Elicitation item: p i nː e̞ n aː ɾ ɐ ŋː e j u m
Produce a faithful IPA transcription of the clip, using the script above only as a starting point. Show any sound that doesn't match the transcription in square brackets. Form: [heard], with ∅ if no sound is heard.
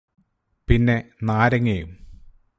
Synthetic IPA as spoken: p i nː e̞ n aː ɾ ɐ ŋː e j u m